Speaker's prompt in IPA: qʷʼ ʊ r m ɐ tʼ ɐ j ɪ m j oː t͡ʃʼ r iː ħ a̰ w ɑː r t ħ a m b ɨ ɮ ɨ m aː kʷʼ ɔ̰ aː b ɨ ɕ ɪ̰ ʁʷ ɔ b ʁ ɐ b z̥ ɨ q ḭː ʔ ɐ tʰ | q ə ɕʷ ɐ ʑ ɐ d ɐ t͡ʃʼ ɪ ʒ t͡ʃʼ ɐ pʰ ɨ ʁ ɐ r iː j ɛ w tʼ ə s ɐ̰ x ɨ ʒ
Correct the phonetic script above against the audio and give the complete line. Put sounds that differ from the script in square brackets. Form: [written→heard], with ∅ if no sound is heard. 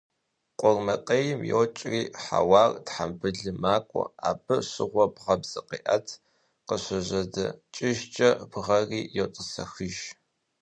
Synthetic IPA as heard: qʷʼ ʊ r m ɐ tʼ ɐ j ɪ m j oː t͡ʃʼ r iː ħ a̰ w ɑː r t ħ a m b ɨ ɮ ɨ m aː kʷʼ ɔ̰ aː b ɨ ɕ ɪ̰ ʁʷ ɔ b ʁ ɐ b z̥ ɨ q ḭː ʔ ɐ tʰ | q ə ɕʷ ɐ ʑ ɐ d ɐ t͡ʃʼ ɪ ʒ t͡ʃʼ ɐ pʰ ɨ ʁ ɐ r iː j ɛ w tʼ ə s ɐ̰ x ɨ ʒ